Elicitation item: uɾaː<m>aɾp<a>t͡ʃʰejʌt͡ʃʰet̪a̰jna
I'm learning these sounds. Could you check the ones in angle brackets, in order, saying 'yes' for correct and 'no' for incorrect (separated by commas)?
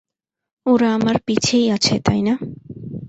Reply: yes, no